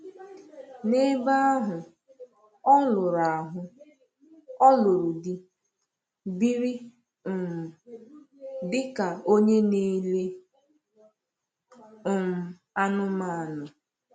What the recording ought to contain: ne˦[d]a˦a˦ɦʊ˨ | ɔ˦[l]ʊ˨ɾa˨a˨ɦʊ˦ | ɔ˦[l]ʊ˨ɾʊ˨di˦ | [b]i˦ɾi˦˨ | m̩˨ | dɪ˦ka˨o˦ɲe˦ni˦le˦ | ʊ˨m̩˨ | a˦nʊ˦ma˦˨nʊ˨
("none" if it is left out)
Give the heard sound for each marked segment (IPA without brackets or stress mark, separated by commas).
b, l, l, b